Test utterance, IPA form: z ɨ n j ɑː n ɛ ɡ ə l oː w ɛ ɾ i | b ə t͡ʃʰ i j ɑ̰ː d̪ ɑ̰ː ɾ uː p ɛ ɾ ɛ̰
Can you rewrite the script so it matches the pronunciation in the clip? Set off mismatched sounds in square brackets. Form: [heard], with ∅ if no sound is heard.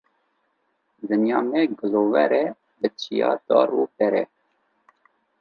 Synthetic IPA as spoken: z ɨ n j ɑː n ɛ ɡ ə l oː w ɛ ɾ [ɛ] | b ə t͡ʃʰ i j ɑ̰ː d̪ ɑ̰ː ɾ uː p ɛ ɾ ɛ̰